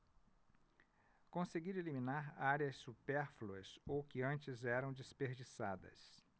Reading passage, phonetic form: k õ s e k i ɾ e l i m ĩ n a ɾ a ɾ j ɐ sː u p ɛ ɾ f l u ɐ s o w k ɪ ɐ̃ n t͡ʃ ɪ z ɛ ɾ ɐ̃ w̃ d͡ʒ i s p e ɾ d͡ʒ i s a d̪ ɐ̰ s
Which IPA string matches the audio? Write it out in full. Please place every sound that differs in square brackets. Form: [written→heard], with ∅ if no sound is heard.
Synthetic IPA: k õ s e [k→ɡ] i ɾ e l i m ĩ n a ɾ a ɾ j ɐ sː u p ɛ ɾ f l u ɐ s o w k ɪ ɐ̃ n t͡ʃ ɪ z ɛ ɾ ɐ̃ w̃ d͡ʒ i s p e ɾ d͡ʒ i s a d̪ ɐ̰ s